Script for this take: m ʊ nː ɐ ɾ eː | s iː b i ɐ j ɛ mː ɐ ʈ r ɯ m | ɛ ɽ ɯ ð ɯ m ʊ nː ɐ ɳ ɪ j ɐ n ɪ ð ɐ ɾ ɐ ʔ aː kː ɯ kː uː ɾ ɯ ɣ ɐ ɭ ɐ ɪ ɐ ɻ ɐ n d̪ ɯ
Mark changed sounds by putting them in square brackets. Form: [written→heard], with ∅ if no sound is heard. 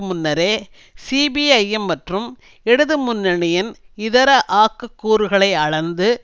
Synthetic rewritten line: m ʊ nː ɐ ɾ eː | s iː b i ɐ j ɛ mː ɐ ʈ r ɯ m | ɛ ɽ ɯ ð ɯ m ʊ nː ɐ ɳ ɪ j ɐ n ɪ ð ɐ ɾ ɐ ʔ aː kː ɯ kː uː ɾ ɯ ɣ ɐ ɭ ɐ ɪ ɐ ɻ ɐ n d̪ ɯ